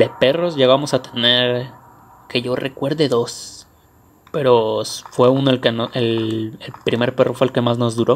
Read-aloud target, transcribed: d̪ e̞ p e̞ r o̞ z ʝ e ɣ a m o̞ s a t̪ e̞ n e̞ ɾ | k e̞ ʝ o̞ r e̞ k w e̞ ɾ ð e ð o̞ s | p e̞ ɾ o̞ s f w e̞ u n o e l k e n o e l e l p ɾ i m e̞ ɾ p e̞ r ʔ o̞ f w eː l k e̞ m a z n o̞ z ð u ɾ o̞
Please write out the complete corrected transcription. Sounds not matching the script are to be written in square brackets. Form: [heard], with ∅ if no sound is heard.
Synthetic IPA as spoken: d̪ e̞ p e̞ r o̞ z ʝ e ɣ a m o̞ s a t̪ e̞ n e̞ ɾ | k e̞ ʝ o̞ r e̞ k w e̞ ɾ ð e ð o̞ s | p e̞ ɾ o̞ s f w e̞ u n o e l k e n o e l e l p ɾ i m e̞ ɾ p e̞ r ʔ o̞ f w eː l k e̞ m a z n o̞ z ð u ɾ o̞